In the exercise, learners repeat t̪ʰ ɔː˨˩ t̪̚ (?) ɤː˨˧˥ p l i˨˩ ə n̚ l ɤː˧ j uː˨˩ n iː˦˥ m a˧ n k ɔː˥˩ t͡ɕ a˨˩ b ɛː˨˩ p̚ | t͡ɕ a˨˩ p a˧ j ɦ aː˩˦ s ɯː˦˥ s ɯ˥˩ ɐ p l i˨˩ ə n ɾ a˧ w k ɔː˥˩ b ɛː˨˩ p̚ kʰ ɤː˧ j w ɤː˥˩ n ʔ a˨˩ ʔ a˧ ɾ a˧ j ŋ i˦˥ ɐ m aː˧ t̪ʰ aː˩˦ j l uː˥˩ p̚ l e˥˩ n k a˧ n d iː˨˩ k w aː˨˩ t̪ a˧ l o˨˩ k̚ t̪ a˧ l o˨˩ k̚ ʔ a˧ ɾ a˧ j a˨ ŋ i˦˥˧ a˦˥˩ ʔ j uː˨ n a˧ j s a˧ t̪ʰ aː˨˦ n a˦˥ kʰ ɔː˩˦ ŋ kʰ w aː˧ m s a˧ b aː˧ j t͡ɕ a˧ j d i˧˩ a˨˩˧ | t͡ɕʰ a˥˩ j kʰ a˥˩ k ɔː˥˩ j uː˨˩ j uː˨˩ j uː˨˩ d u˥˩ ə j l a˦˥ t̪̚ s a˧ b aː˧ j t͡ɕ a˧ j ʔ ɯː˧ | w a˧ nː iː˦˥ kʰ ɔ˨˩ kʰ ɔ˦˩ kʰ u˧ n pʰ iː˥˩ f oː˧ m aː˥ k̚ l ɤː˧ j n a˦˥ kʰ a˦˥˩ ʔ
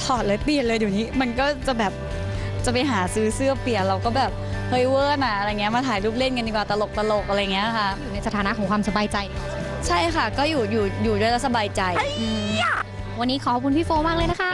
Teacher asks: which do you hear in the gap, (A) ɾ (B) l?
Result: B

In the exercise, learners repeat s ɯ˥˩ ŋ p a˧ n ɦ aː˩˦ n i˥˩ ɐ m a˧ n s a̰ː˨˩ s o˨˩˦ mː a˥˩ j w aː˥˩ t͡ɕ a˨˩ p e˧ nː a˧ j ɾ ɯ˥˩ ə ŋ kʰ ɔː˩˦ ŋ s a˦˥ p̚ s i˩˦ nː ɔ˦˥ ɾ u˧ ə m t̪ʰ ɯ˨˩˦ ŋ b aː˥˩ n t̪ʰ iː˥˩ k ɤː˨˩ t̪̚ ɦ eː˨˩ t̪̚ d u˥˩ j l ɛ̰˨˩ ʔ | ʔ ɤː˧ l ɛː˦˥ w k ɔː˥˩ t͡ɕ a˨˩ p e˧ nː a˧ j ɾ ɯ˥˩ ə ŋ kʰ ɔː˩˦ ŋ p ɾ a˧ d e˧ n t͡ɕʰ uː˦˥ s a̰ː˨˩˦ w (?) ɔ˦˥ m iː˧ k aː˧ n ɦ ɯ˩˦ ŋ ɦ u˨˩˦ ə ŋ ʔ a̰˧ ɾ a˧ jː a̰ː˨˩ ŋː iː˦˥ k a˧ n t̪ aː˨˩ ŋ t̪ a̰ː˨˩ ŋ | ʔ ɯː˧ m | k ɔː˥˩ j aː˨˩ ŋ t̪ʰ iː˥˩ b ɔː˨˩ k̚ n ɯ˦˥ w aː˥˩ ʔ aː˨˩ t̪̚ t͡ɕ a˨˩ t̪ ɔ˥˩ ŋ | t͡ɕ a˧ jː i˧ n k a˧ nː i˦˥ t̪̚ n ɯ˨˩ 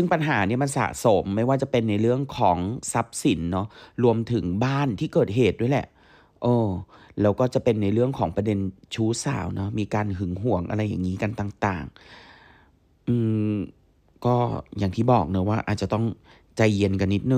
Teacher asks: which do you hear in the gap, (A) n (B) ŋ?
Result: A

